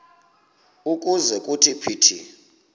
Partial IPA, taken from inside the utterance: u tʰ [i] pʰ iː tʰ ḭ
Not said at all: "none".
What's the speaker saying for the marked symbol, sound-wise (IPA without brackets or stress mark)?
i